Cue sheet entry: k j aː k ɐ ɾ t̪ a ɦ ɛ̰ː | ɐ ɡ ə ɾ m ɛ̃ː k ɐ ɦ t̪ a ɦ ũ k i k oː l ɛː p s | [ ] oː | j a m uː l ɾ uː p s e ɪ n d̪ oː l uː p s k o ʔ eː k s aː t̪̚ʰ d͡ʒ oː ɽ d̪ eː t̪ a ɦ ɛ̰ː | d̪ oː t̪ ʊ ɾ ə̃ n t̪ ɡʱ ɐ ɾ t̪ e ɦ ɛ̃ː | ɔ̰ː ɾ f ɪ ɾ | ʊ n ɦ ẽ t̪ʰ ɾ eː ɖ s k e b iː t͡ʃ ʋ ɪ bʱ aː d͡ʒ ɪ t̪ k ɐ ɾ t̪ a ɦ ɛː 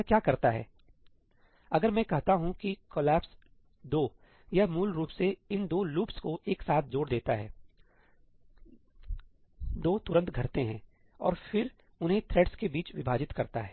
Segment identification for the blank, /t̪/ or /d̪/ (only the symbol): d̪